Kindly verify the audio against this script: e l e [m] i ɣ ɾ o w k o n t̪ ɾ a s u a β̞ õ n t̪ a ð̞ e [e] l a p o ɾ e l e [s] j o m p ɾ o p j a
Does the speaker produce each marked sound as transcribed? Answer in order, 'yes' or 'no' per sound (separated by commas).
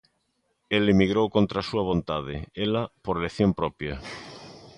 yes, yes, no